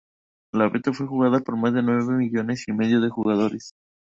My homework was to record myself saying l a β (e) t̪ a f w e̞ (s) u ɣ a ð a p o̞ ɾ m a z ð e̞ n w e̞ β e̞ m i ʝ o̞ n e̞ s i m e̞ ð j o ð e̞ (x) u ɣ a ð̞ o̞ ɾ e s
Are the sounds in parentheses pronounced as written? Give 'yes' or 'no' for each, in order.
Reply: yes, no, yes

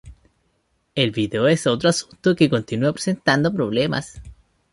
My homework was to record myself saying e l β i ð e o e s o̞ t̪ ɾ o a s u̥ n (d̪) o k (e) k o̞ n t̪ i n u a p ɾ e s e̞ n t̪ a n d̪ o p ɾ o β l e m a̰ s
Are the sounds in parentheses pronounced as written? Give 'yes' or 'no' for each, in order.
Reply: no, yes

